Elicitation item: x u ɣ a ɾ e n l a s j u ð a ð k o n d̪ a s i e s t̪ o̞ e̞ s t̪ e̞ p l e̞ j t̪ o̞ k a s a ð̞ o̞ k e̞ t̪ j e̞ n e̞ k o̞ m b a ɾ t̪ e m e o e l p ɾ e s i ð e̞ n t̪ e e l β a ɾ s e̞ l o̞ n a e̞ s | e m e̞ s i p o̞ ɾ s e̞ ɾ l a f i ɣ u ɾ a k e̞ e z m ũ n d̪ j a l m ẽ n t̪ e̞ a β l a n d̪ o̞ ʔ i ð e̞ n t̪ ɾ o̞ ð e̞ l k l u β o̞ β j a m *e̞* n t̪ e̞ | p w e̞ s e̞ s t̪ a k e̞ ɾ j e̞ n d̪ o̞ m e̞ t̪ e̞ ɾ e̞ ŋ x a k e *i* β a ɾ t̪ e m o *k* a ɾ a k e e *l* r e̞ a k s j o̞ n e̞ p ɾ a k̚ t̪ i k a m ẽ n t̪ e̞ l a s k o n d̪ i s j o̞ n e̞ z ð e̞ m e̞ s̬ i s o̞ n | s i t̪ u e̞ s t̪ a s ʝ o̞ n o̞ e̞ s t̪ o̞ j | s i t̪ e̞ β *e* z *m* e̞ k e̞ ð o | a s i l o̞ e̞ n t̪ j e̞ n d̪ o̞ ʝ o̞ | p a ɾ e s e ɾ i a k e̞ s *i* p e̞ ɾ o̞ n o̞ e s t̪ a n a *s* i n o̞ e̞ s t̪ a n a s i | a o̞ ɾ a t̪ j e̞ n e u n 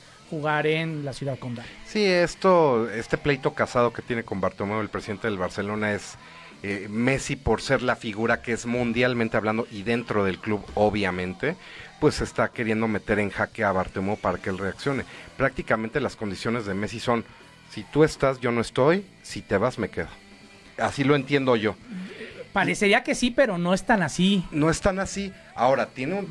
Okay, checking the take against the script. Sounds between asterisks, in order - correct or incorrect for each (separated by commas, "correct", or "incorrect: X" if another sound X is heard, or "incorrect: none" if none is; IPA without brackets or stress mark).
incorrect: ẽ̞, incorrect: a, incorrect: p, correct, incorrect: a, correct, correct, correct